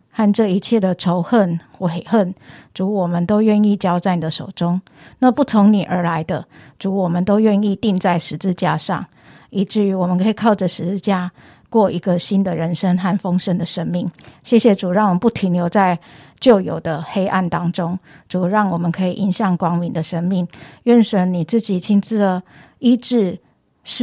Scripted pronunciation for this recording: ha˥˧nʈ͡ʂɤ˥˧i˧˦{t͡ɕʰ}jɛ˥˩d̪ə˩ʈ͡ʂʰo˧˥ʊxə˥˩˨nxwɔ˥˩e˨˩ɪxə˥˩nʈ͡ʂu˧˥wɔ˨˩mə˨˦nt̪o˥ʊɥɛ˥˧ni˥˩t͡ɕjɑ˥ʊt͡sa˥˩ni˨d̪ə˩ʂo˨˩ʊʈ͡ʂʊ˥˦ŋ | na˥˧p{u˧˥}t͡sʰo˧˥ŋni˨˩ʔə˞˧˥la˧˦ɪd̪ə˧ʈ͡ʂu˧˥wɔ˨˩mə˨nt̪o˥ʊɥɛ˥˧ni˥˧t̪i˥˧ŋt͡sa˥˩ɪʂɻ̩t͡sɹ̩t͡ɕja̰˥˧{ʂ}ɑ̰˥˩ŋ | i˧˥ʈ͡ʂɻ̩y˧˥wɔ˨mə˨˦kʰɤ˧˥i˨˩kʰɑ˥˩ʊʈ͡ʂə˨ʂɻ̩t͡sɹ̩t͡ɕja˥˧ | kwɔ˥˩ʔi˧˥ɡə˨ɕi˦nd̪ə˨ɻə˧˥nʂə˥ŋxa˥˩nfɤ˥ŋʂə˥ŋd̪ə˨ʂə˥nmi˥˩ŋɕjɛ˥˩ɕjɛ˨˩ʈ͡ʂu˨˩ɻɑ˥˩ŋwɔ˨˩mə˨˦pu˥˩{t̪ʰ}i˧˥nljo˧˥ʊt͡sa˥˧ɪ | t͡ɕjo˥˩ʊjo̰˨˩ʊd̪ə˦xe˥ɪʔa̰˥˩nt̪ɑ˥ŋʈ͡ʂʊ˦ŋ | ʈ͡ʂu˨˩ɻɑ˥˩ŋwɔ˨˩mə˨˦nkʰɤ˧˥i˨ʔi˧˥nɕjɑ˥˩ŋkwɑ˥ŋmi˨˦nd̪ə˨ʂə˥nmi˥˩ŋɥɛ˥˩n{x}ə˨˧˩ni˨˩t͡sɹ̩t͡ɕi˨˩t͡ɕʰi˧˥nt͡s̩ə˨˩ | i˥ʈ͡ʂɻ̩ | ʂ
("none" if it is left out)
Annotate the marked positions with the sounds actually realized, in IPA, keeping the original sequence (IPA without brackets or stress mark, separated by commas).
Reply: t͡ɕʰ, u˥˩, ʂ, t̪ʰ, ʂ